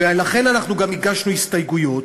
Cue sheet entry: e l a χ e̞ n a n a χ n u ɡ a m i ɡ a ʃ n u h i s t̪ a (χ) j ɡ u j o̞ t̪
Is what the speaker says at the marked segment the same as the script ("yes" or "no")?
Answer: no